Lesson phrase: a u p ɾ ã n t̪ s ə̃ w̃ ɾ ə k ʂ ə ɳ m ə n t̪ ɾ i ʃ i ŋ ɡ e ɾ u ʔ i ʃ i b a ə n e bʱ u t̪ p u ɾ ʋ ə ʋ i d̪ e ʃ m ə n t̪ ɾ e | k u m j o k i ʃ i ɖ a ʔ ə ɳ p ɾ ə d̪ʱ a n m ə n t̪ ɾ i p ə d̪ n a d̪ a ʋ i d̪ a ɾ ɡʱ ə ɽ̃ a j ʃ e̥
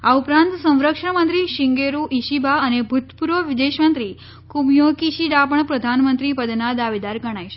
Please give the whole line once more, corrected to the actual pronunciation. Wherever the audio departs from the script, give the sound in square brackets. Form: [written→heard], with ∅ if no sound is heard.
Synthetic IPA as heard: a u p ɾ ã n t̪ s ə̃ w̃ ɾ ə k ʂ ə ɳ m ə n t̪ ɾ i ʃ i ŋ ɡ e ɾ u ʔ i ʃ i b a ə n e bʱ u t̪ p u ɾ ʋ ə ʋ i d̪ e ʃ m ə n t̪ ɾ [e→i] | k u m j o k i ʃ i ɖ a [ʔ→p] ə ɳ p ɾ ə d̪ʱ a n m ə n t̪ ɾ i p ə d̪ n a d̪ a ʋ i d̪ a ɾ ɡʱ ə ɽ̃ a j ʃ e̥